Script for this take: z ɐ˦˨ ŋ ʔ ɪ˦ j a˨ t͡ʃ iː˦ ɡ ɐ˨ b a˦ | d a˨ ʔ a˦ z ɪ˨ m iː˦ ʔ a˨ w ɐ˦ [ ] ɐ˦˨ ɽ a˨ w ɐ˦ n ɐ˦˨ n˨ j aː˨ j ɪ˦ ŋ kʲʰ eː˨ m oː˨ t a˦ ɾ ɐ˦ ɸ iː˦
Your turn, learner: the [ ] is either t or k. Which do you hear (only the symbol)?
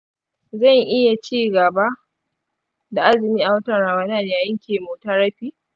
t